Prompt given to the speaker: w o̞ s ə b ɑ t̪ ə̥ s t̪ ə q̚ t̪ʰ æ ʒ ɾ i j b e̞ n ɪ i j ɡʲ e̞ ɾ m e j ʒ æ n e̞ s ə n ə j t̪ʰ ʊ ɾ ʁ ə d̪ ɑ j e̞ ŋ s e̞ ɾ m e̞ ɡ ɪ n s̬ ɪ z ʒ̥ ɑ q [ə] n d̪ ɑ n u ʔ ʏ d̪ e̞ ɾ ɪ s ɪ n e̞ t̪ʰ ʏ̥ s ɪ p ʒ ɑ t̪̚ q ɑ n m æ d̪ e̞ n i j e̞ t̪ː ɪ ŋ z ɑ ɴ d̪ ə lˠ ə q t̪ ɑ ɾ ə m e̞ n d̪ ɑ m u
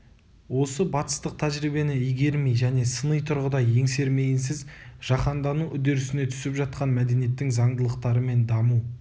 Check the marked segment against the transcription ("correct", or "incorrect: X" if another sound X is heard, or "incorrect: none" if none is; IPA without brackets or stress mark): incorrect: ɑ